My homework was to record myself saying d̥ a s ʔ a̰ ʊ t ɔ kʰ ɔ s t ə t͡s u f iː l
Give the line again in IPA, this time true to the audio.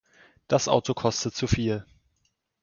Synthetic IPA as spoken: d̥ a s ʔ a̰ ʊ t o kʰ ɔ s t ə t͡s u f iː l

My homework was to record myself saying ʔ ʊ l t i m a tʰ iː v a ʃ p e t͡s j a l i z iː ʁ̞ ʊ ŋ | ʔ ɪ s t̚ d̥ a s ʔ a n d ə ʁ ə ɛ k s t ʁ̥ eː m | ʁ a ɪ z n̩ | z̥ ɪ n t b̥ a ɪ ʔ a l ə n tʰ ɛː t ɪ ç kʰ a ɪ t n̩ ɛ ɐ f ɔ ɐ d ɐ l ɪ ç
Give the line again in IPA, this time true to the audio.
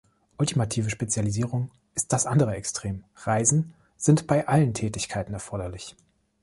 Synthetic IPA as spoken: ʔ ʊ l t i m a tʰ iː v ə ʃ p e t͡s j a l i z iː ʁ̞ ʊ ŋ | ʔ ɪ s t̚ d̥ a s ʔ a n d ə ʁ ə ɛ k s t ʁ̥ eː m | ʁ a ɪ z n̩ | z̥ ɪ n t b̥ a ɪ ʔ a l ə n tʰ ɛː t ɪ ç kʰ a ɪ t n̩ ɛ ɐ f ɔ ɐ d ɐ l ɪ ç

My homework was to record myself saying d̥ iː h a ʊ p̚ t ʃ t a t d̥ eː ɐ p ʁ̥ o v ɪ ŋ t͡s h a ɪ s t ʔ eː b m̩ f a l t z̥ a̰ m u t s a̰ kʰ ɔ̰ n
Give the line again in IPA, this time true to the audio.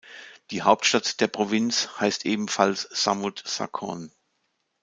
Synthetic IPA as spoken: d̥ iː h a ʊ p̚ t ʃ t a t d̥ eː ɐ p ʁ̥ o v ɪ n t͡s h a ɪ s t ʔ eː b m̩ f a l s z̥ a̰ m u t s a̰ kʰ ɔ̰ n

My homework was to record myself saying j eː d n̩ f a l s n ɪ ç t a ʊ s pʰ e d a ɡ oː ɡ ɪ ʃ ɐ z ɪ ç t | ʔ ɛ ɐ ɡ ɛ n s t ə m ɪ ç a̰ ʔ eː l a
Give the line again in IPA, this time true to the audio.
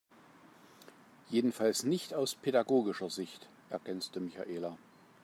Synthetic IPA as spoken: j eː d n̩ f a l s n ɪ ç t a ʊ s pʰ e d a ɡ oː ɡ ɪ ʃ ɐ z ɪ ç t | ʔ ɛ ɐ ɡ ɛ n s t ə m ɪ ç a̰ ʔ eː l a

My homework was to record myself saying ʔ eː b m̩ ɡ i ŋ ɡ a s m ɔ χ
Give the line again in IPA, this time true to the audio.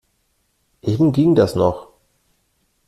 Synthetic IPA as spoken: ʔ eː b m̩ ɡ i ŋ d a s n ɔ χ

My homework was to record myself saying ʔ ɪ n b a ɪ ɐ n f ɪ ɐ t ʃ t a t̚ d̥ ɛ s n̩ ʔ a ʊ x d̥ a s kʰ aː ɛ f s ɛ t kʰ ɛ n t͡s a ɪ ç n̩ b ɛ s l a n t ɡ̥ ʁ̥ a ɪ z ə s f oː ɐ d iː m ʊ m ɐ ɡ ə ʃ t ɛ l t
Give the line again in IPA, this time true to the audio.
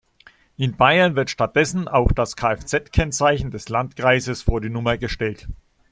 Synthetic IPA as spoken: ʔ ɪ n b a ɪ ɐ n v ɪ ɐ t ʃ t a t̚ d̥ ɛ s n̩ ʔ a ʊ x d̥ a s kʰ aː ɛ f t͡s ɛ t kʰ ɛ n t͡s a ɪ ç n̩ d ɛ s l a n t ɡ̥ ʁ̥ a ɪ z ə s f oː ɐ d iː n ʊ m ɐ ɡ ə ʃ t ɛ l t

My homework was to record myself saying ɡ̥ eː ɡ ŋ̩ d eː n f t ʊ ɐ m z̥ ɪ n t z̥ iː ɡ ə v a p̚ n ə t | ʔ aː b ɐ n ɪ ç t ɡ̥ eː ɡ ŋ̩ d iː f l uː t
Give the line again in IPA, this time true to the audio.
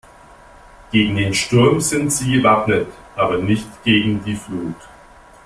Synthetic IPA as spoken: ɡ̥ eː ɡ ŋ̩ d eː n ʃ t ʊ ɐ m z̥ ɪ n t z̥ iː ɡ ə v a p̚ n ə t | ʔ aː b ɐ n ɪ ç t ɡ̥ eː ɡ ŋ̩ d iː f l uː t

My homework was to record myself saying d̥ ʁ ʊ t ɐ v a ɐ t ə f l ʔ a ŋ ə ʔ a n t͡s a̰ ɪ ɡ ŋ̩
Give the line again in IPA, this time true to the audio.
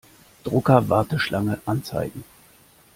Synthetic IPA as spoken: d̥ ʁ ʊ k ɐ v a ɐ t ə ʃ l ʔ a ŋ ə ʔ a n t͡s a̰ ɪ ɡ ŋ̩

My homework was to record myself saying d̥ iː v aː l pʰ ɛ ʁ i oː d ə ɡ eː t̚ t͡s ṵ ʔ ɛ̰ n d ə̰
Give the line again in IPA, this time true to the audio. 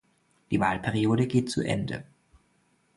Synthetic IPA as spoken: d̥ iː v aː l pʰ ɛ ʁ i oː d ə ɡ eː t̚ t͡s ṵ ʔ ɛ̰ n d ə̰

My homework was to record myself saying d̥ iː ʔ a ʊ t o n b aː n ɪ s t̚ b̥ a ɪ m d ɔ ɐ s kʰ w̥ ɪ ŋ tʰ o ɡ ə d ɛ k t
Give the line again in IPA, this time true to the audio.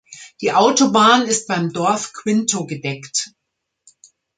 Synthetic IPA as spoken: d̥ iː ʔ a ʊ t o b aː n ɪ s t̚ b̥ a ɪ m d ɔ ɐ f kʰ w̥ ɪ n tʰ o ɡ ə d ɛ k t

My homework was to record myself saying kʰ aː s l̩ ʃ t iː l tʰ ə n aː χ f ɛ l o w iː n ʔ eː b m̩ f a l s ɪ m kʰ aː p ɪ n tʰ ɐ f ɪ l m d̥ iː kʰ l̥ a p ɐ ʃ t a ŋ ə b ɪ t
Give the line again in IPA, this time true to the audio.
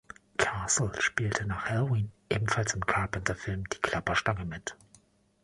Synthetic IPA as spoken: kʰ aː s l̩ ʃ p iː l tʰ ə n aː χ h ɛ l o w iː n ʔ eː b m̩ f a l s ɪ m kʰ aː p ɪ n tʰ ɐ f ɪ l m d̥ iː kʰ l̥ a p ɐ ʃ t a ŋ ə m ɪ t

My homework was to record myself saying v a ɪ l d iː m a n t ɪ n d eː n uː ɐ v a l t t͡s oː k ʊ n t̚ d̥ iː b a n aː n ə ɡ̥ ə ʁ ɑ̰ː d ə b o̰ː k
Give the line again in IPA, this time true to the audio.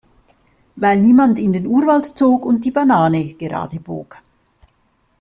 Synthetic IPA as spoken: v a ɪ l n iː m a n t ɪ n d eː n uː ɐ v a l t t͡s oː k ʊ n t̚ d̥ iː b a n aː n ə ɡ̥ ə ʁ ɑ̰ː d ə b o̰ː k

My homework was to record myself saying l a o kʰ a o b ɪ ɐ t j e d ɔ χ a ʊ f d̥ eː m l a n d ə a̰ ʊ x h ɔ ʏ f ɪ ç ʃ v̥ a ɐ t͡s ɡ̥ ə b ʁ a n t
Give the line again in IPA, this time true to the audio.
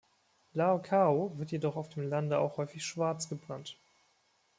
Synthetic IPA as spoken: l a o kʰ a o v ɪ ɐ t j e d ɔ χ a ʊ f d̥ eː m l a n d ə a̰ ʊ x h ɔ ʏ f ɪ ç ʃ v̥ a ɐ t͡s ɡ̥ ə b ʁ a n t

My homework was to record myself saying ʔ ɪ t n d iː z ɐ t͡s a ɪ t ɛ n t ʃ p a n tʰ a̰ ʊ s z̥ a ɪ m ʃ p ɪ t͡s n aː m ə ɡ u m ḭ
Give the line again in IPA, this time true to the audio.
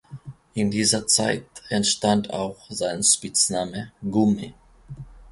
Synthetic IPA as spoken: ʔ ɪ n d iː z ɐ t͡s a ɪ t ɛ n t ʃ t a n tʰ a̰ ʊ x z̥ a ɪ n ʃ p ɪ t͡s n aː m ə ɡ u m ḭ

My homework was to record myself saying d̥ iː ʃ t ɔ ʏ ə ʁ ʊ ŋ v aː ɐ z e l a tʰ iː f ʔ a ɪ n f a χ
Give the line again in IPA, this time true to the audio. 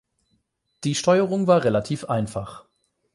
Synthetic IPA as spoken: d̥ iː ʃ t ɔ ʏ ə ʁ ʊ ŋ v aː ɐ ʁ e l a tʰ iː f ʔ a ɪ n f a χ

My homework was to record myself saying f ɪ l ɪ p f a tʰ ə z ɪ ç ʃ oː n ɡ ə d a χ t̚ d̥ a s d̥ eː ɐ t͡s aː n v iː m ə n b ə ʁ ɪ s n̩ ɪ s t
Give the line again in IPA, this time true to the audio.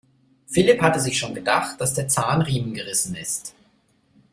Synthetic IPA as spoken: f ɪ l ɪ p h a t ə z ɪ ç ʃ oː n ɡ ə d a χ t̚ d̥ a s d̥ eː ɐ t͡s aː n ʁ iː m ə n ɡ ə ʁ ɪ s n̩ ɪ s t

